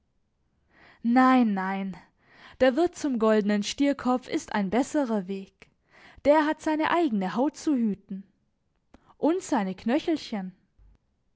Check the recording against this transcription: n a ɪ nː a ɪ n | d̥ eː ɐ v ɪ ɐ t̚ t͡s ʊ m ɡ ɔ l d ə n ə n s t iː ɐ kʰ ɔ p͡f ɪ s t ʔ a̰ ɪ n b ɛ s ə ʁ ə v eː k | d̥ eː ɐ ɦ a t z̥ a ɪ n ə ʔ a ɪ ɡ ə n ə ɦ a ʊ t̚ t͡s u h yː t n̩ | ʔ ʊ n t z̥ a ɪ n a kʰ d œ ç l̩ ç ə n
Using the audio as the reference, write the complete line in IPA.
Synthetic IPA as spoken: n a ɪ nː a ɪ n | d̥ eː ɐ v ɪ ɐ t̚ t͡s ʊ m ɡ ɔ l d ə n ə n ʃ t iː ɐ kʰ ɔ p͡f ɪ s t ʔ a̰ ɪ n b ɛ s ə ʁ ɐ v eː k | d̥ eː ɐ ɦ a t z̥ a ɪ n ə ʔ a ɪ ɡ ə n ə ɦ a ʊ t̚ t͡s u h yː t n̩ | ʔ ʊ n t z̥ a ɪ n ə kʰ n œ ç l̩ ç ə n

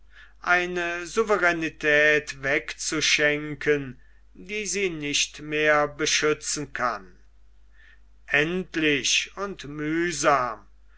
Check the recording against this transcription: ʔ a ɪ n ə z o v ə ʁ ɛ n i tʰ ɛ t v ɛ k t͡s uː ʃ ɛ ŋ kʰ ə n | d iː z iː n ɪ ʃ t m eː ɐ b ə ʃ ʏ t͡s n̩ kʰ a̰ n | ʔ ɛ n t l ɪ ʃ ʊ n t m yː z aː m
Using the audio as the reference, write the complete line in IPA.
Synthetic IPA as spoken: ʔ a ɪ n ə z u v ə ʁ ɛ n i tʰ ɛː t v ɛ k t͡s u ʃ ɛ ŋ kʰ ə n | d iː z iː n ɪ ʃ t m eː ɐ b ə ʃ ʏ t͡s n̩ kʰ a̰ n | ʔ ɛ n t l ɪ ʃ ʊ n t m yː z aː m

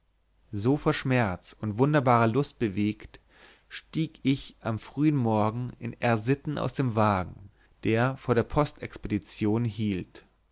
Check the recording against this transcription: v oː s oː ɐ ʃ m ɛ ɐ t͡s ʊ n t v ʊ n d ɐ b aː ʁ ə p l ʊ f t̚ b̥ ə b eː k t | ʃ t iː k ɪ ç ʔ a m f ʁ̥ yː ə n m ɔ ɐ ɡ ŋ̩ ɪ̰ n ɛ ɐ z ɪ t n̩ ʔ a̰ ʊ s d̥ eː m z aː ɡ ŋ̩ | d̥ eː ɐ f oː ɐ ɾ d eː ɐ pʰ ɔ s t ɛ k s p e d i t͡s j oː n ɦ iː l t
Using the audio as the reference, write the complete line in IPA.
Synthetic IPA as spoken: z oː f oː ɐ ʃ m ɛ ɐ t͡s ʊ n t v ʊ n d ɐ b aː ʁ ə l ʊ s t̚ b̥ ə v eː k t | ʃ t iː k ɪ ç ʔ a m f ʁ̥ yː ə n m ɔ ɐ ɡ ŋ̩ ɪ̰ n ɛ ɐ z ɪ t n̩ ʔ a̰ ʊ s d̥ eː m v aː ɡ ŋ̩ | d̥ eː ɐ f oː ɐ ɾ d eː ɐ pʰ ɔ s t ɛ k s p e d i t͡s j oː n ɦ iː l t

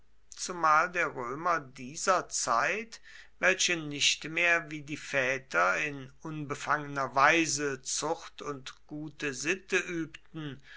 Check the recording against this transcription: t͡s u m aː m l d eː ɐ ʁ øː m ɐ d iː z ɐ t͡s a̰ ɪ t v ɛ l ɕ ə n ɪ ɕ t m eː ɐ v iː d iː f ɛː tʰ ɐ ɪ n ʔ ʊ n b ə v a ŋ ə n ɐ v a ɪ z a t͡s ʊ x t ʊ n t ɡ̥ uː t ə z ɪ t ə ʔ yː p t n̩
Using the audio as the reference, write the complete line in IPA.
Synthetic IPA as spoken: t͡s u m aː l d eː ɐ ʁ øː m ɐ d iː z ɐ t͡s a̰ ɪ t v ɛ l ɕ ə n ɪ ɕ t m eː ɐ v iː d iː f ɛː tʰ ɐ ɪ n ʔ ʊ n b ə f a ŋ ə n ɐ v a ɪ z ə t͡s ʊ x t ʊ n t ɡ̥ uː t ə z ɪ t ə ʔ yː p t n̩

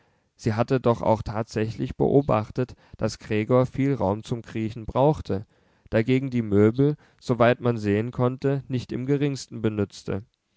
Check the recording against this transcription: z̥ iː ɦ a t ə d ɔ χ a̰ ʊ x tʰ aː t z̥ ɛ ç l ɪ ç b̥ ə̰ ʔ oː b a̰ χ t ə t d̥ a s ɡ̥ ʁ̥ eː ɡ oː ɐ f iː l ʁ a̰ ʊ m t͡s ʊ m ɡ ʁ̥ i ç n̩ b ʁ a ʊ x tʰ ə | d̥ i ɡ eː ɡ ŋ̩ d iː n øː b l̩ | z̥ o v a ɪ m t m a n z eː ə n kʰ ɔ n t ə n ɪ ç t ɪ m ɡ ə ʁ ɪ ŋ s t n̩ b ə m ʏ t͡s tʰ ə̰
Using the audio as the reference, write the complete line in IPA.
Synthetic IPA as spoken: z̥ iː ɦ a t ə d ɔ χ a̰ ʊ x tʰ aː t z̥ ɛ ç l ɪ ç b̥ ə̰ ʔ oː b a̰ χ t ə t d̥ a s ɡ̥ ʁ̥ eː ɡ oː ɐ f iː l ʁ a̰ ʊ m t͡s ʊ m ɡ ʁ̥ iː ç n̩ b ʁ a ʊ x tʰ ə | d̥ a ɡ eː ɡ ŋ̩ d iː m øː b l̩ | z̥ o v a ɪ t m a n z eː ə n kʰ ɔ n t ə n ɪ ç t ɪ m ɡ ə ʁ ɪ ŋ s t n̩ b ə n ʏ t͡s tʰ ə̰

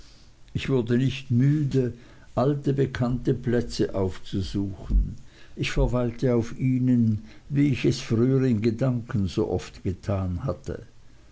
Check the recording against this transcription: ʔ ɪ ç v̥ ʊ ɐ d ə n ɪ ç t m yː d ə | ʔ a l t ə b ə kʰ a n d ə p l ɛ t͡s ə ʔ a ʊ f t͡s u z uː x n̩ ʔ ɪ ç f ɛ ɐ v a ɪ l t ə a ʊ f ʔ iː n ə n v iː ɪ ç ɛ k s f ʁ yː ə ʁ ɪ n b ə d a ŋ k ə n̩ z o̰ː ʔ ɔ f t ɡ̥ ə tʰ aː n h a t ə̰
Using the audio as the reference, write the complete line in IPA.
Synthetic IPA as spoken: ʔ ɪ ç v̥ ʊ ɐ d ə n ɪ ç t m yː d ə | ʔ a l t ə b ə kʰ a n t ə p l ɛ t͡s ə ʔ a ʊ f t͡s u z uː x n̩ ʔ ɪ ç f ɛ ɐ v a ɪ l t ə a ʊ f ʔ iː n ə n v iː ɪ ç ɛ s f ʁ yː ə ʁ ɪ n ɡ ə d a ŋ k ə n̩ z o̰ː ʔ ɔ f t ɡ̥ ə tʰ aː n h a t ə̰

